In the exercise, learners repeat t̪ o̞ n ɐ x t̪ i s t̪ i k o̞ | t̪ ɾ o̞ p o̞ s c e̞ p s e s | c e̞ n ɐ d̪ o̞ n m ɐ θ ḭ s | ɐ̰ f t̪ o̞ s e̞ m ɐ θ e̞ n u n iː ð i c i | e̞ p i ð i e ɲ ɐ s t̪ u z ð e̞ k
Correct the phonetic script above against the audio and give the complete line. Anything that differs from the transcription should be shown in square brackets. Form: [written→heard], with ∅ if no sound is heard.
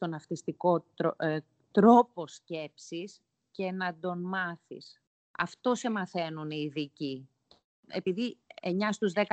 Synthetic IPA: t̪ o̞ n ɐ [x→f] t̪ i s t̪ i k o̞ | t̪ ɾ o̞ p o̞ s c e̞ p s [e→i] s | c e̞ n ɐ d̪ o̞ n m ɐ θ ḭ s | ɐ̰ f t̪ o̞ s e̞ m ɐ θ e̞ n u n iː ð i c i | e̞ p i ð i e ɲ ɐ s t̪ u z ð e̞ k